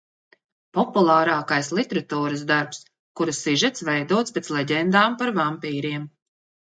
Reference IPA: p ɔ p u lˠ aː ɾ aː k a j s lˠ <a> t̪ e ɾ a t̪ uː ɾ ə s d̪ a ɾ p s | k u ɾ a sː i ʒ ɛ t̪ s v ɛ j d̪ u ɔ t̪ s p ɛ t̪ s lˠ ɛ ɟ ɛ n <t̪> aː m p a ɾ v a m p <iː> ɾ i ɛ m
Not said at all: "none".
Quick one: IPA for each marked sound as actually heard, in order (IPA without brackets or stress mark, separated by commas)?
i, d̪, iː